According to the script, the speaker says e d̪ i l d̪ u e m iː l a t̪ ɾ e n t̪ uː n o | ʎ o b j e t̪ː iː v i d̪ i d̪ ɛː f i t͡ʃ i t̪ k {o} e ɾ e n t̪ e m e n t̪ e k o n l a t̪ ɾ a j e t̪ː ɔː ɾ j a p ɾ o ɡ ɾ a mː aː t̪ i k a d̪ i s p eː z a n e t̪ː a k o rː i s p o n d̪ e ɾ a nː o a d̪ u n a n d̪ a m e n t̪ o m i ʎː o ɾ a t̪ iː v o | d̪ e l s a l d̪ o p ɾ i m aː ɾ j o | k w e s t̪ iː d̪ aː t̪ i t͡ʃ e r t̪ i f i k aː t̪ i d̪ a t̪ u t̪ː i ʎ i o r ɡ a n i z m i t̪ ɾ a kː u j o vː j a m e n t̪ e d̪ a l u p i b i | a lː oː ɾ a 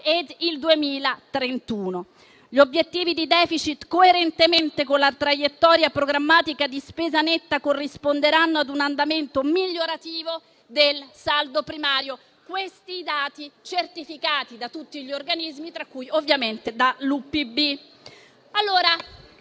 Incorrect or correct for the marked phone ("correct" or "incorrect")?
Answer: correct